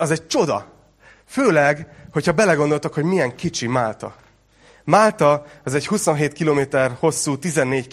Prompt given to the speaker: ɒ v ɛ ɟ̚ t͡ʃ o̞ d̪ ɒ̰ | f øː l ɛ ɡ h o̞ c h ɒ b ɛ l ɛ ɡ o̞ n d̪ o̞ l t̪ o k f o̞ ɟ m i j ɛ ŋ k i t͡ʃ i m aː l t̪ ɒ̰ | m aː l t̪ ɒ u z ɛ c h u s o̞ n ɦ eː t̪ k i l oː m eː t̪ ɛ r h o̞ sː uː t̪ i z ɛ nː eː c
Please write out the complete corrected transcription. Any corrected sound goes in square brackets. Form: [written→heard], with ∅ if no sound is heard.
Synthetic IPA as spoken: ɒ [v→z] ɛ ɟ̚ t͡ʃ o̞ d̪ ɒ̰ | f øː l ɛ ɡ h o̞ c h ɒ b ɛ l ɛ ɡ o̞ n d̪ o̞ l t̪ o k [f→h] o̞ ɟ m i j ɛ ŋ k i t͡ʃ i m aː l t̪ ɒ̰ | m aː l t̪ ɒ [u→ɒ] z ɛ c h u s o̞ n ɦ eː t̪ k i l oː m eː t̪ ɛ r h o̞ sː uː t̪ i z ɛ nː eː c